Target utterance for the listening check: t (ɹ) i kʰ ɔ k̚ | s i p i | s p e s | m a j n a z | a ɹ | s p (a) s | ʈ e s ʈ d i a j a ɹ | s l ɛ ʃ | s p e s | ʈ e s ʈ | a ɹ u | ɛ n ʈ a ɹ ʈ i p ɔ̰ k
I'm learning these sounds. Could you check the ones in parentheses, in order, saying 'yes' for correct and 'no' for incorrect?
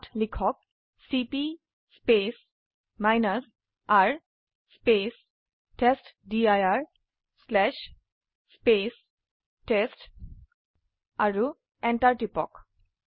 no, no

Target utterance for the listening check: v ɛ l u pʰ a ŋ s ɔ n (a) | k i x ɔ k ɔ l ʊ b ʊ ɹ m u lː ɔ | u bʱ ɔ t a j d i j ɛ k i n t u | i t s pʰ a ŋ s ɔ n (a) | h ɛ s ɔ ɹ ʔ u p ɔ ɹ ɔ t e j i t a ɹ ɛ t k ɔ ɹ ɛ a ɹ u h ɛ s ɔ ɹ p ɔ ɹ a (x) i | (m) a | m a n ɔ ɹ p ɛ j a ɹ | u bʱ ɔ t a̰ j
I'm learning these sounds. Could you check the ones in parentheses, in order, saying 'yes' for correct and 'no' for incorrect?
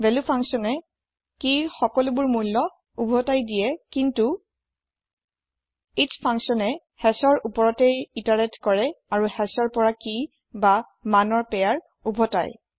no, no, no, no

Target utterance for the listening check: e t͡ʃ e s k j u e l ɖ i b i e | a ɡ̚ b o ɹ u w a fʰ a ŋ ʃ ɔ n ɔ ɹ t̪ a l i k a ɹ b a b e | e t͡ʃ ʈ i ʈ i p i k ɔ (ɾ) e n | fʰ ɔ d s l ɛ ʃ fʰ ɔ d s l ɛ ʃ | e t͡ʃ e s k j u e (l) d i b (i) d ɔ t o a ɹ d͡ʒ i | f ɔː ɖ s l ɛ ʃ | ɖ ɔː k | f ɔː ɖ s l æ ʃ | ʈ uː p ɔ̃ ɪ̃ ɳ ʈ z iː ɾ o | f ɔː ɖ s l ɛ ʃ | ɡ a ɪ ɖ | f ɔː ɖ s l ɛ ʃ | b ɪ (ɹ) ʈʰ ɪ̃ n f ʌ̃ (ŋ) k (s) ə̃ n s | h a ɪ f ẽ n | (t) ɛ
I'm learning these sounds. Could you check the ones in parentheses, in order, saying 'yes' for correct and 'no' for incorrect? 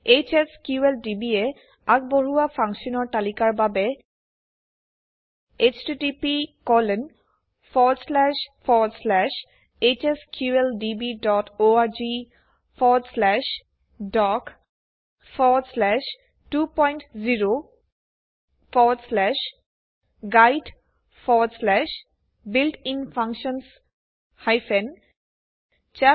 no, yes, yes, no, yes, no, no

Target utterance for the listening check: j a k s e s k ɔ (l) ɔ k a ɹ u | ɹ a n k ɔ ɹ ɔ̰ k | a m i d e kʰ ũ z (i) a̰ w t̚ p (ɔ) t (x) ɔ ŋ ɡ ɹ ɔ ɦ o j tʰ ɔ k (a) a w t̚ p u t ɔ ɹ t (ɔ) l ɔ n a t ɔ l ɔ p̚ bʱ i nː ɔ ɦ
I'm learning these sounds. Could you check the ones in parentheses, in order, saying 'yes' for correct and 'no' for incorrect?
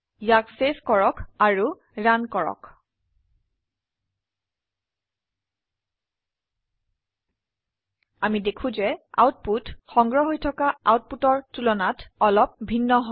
no, no, no, yes, yes, no

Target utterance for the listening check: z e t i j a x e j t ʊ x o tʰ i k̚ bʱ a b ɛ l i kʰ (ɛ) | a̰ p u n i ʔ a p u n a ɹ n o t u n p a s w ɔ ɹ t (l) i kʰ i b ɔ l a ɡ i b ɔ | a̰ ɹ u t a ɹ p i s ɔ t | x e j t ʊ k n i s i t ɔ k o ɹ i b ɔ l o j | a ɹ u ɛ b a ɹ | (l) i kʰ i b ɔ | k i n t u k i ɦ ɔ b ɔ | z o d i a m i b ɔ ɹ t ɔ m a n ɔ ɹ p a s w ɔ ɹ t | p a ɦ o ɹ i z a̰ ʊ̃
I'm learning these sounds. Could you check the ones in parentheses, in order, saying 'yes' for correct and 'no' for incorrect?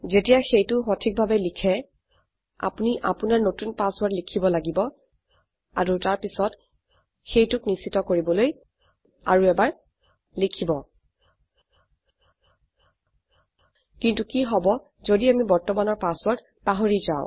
yes, yes, yes

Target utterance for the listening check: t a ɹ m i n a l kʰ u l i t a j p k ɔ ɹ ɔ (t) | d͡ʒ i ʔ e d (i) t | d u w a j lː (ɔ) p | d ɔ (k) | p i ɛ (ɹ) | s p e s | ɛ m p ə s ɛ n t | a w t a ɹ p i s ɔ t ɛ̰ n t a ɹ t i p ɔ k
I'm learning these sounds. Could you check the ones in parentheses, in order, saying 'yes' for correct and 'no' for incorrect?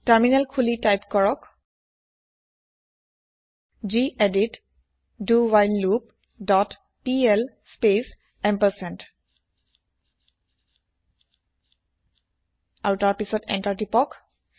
no, yes, no, no, no

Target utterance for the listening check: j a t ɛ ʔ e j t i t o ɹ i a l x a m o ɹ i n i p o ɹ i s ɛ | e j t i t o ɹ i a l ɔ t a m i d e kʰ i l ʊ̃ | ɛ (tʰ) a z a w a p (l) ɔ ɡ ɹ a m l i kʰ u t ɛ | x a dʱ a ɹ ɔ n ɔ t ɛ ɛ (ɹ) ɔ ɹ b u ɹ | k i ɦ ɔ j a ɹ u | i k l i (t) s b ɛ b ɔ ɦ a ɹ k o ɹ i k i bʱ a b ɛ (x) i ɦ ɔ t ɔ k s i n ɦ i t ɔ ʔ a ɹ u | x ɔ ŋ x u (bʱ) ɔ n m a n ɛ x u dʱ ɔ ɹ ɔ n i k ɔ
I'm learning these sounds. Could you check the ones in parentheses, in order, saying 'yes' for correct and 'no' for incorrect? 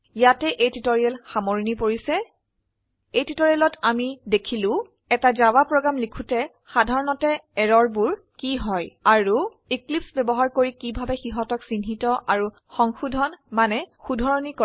no, no, yes, no, yes, no

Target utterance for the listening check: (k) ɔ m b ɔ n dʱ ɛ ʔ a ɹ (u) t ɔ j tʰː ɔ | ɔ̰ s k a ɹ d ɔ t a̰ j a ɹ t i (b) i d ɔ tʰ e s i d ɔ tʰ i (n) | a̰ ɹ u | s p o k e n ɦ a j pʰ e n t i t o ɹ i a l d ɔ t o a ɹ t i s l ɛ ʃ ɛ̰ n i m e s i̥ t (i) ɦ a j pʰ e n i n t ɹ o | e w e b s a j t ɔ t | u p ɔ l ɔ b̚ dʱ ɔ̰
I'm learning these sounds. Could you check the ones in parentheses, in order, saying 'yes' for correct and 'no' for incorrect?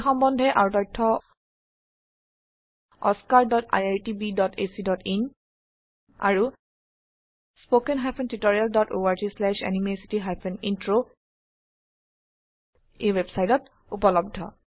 no, yes, yes, yes, yes

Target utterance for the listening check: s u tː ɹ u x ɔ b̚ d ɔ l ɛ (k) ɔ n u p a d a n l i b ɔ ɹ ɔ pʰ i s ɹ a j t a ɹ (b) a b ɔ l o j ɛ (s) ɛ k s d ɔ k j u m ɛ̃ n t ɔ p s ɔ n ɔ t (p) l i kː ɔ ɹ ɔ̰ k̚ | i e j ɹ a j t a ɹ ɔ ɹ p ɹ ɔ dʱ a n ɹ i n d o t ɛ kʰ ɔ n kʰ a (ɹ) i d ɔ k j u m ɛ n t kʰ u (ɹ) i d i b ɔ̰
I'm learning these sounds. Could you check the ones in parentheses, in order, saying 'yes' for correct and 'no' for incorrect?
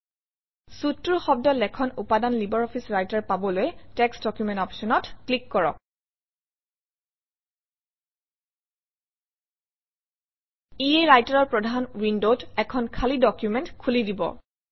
no, no, no, no, no, no

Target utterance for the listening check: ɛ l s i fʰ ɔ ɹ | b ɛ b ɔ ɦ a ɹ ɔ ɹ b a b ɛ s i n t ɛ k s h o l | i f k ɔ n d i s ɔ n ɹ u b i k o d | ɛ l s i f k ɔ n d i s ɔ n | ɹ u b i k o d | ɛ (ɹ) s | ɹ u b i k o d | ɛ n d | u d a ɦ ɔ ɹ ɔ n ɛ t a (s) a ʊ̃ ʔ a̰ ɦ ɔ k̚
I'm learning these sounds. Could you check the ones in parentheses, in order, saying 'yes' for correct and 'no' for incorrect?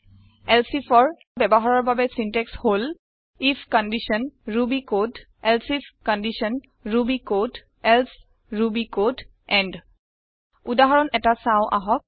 no, yes

